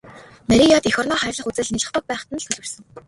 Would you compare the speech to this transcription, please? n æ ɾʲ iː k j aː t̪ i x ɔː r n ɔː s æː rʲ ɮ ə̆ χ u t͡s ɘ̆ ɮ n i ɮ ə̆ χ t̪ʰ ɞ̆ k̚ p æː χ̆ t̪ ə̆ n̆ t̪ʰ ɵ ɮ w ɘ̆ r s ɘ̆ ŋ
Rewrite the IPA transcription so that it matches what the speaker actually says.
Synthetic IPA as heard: n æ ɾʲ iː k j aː t̪ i x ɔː r n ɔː χ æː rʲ ɮ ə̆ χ u t͡s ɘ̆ ɮ n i ɮ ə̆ χ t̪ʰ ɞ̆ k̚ p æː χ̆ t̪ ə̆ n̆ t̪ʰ ɵ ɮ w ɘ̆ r s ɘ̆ ŋ